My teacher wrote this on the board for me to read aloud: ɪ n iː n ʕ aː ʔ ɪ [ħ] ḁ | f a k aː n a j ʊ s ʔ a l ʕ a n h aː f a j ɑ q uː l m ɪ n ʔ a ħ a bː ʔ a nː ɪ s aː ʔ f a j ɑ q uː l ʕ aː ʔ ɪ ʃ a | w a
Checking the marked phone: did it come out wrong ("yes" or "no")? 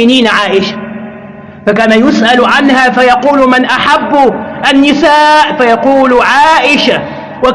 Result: yes